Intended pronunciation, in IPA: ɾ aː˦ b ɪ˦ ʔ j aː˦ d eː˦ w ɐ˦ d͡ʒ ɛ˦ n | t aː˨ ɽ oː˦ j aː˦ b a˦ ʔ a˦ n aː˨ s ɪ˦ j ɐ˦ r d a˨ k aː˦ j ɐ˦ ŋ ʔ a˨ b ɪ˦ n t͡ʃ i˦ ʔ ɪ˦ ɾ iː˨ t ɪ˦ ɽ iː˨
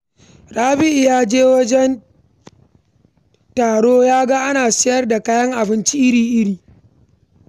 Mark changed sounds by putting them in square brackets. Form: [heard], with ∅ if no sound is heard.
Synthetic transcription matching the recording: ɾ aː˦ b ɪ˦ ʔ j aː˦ [d͡ʒ] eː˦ w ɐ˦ d͡ʒ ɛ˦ n | t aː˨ ɽ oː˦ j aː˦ [ɡ] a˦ ʔ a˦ n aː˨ s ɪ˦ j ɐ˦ r d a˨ k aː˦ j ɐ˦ ŋ ʔ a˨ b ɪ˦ n t͡ʃ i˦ ʔ ɪ˦ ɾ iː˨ [ʔ] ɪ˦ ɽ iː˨